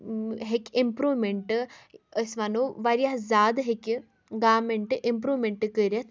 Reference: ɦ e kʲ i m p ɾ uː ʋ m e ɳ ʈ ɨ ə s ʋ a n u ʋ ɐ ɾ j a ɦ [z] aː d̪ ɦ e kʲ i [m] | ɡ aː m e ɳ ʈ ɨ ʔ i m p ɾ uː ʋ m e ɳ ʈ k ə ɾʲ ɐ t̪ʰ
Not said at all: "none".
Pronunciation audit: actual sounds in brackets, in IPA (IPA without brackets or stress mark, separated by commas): z, none